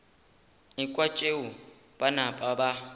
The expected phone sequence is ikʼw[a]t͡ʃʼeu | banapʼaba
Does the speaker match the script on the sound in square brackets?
yes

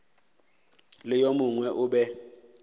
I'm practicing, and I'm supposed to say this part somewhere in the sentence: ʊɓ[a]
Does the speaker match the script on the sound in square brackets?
no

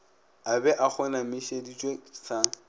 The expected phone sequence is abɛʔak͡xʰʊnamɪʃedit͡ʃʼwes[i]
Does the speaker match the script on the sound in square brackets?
no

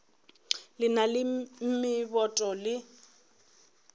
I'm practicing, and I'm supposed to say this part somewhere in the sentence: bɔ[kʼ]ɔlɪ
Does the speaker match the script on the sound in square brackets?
no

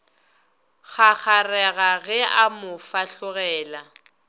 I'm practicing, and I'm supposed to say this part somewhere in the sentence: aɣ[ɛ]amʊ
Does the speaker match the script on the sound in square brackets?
yes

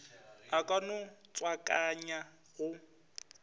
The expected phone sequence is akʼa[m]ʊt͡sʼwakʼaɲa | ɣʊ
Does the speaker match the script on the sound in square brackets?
no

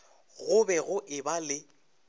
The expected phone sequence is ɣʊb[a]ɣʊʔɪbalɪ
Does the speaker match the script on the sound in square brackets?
no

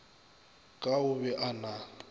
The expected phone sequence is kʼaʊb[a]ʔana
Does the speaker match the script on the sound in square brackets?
no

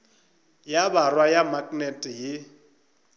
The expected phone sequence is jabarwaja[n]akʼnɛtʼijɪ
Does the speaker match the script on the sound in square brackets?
no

